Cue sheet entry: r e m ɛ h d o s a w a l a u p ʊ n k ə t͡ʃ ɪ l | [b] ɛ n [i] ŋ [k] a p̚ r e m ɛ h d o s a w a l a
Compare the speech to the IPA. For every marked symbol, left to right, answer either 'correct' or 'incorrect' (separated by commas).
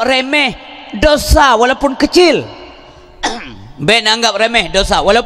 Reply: correct, incorrect, incorrect